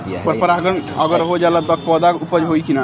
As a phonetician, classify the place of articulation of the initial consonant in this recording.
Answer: labial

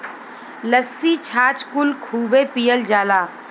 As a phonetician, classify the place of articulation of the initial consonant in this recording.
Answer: alveolar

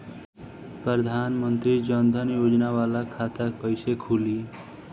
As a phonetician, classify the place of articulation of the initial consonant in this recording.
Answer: labial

